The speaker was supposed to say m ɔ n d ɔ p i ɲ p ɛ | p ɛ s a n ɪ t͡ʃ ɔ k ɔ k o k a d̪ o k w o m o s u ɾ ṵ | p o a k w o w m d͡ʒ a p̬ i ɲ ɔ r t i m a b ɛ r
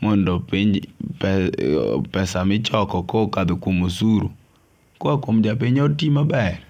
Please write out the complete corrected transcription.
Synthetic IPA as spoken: m ɔ n d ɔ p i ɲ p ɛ | p ɛ s a m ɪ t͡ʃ ɔ k ɔ k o k a d̪ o k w o m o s u ɾ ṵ | k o a k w o m d͡ʒ a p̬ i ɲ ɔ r t i m a b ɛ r